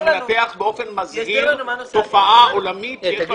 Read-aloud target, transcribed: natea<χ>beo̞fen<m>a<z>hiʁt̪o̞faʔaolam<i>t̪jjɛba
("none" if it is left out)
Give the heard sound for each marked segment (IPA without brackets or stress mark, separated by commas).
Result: χ, m, z, i